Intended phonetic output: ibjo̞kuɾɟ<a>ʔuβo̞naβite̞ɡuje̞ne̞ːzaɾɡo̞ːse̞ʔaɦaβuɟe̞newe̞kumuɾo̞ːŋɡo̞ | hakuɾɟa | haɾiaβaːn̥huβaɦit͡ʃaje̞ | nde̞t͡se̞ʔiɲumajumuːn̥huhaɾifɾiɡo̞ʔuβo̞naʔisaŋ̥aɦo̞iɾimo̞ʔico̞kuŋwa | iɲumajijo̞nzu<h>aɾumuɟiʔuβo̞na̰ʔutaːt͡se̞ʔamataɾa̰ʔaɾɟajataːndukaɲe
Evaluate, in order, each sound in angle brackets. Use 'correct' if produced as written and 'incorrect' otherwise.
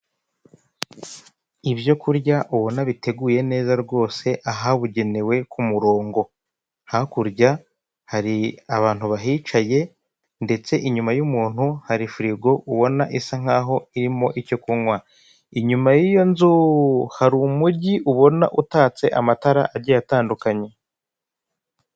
correct, correct

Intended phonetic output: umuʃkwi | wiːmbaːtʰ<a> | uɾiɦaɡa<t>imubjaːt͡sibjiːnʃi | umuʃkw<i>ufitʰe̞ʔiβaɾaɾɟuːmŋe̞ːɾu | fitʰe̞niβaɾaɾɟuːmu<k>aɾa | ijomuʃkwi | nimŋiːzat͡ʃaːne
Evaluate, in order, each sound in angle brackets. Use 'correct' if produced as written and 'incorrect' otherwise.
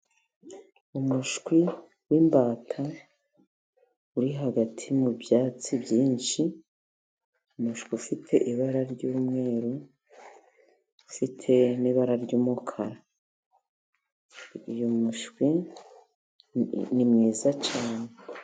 correct, incorrect: tʰ, correct, incorrect: kʰ

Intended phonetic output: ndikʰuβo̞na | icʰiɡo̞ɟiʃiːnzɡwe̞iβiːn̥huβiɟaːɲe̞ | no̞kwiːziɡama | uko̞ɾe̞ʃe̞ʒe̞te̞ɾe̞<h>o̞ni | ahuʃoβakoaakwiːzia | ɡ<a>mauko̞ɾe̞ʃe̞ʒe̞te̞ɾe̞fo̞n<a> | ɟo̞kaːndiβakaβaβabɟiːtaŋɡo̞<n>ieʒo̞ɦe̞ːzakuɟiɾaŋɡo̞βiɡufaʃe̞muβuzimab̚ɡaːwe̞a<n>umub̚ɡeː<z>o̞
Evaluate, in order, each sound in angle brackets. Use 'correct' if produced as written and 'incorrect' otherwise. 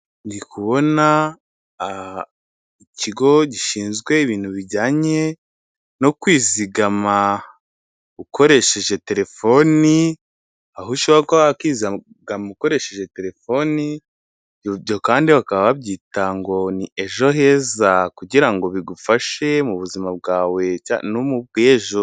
incorrect: f, correct, incorrect: i, correct, correct, incorrect: ʒ

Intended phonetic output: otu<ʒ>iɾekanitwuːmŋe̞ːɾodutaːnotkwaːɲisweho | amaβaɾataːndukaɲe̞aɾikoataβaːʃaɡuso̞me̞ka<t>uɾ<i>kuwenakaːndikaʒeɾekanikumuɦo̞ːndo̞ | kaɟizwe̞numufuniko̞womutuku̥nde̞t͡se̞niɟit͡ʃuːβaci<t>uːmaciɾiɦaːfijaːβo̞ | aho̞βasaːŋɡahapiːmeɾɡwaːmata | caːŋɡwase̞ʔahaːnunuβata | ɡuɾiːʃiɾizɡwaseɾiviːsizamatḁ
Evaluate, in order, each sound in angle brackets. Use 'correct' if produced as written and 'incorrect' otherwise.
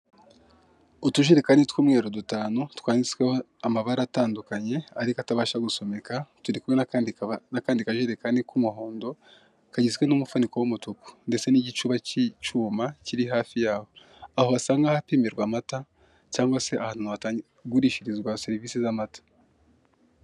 correct, correct, correct, incorrect: t͡ʃ

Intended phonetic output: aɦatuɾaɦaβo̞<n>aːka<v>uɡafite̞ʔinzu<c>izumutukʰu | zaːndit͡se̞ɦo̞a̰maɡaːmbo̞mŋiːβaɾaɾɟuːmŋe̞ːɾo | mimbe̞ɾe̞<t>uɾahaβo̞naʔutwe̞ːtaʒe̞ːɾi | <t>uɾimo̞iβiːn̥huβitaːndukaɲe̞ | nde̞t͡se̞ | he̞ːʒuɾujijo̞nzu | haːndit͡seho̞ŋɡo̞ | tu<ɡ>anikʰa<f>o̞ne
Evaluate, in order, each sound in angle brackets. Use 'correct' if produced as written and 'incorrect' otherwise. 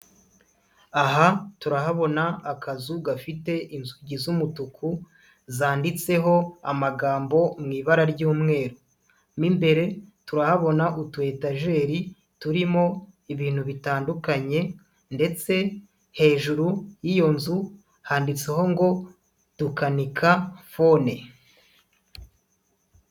correct, incorrect: z, incorrect: ɟ, correct, correct, incorrect: k, correct

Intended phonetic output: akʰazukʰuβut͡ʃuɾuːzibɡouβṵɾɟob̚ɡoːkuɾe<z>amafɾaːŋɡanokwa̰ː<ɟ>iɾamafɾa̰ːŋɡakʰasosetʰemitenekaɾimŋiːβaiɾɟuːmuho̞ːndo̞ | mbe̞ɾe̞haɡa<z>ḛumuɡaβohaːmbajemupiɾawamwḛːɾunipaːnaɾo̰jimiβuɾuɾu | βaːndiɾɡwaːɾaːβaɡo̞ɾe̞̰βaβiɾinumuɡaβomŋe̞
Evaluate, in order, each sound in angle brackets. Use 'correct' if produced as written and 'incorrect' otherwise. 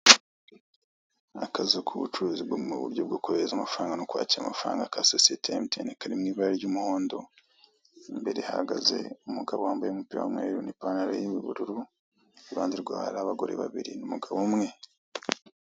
correct, incorrect: c, correct

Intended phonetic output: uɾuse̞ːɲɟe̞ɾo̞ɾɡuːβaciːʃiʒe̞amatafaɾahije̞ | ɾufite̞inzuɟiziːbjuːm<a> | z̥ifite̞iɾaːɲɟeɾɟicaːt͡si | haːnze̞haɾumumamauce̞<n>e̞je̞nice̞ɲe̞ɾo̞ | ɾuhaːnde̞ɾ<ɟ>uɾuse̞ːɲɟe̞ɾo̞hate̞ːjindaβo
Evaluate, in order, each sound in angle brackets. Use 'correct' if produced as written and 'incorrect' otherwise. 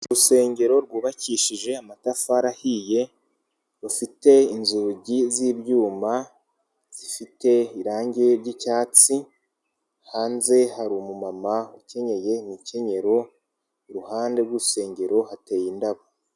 correct, incorrect: ɲ, incorrect: ɡ

